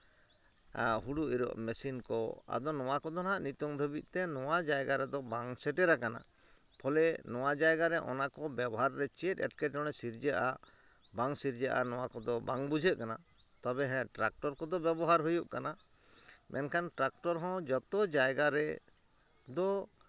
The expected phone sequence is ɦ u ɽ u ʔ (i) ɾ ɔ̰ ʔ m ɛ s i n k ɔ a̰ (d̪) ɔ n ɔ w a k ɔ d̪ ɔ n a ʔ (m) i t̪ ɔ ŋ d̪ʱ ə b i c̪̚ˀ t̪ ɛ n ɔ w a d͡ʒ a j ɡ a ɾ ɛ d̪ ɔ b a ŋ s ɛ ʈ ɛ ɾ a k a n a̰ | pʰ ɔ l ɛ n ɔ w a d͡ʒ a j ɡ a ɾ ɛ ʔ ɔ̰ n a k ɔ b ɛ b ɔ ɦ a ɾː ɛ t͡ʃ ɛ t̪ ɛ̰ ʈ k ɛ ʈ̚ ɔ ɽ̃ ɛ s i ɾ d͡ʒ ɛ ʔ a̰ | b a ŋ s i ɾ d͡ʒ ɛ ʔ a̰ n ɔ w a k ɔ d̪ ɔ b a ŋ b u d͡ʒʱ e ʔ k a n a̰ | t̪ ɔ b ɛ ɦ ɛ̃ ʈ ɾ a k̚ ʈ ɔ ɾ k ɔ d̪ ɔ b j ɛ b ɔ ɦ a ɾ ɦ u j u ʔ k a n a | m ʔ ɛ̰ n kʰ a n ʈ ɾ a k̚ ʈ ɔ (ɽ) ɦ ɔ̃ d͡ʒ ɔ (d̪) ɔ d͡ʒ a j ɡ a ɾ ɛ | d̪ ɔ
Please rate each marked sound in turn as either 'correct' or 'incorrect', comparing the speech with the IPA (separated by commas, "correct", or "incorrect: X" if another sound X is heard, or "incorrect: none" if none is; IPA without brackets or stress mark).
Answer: correct, correct, incorrect: n, incorrect: ɾ, incorrect: t̪